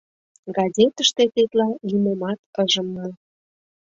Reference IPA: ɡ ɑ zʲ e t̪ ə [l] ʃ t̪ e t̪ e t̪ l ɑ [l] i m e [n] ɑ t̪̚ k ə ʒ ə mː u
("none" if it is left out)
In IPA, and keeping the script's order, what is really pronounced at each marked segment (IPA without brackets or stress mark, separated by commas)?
none, l, m